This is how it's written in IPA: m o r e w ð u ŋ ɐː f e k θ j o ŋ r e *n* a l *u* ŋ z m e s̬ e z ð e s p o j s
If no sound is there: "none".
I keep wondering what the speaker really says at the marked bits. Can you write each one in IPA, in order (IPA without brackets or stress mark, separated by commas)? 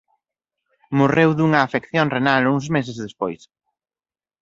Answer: n, u